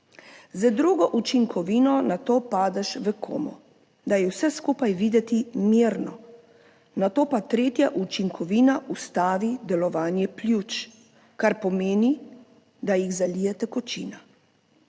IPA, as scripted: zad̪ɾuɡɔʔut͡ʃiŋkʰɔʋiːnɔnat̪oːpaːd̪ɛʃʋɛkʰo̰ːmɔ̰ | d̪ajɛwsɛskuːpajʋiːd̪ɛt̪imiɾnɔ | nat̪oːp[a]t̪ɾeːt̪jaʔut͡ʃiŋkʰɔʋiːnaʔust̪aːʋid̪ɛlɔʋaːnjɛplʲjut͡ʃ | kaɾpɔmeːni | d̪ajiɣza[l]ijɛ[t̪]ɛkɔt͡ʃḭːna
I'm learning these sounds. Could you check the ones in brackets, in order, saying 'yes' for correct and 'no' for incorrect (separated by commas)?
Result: yes, yes, yes